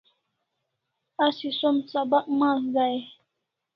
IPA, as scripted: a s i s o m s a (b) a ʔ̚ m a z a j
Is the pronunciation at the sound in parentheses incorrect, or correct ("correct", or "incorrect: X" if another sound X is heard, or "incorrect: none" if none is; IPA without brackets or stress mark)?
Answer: correct